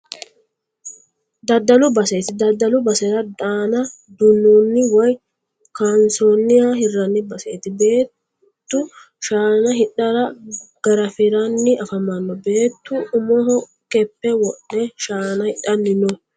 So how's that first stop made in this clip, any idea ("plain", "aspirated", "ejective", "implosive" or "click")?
plain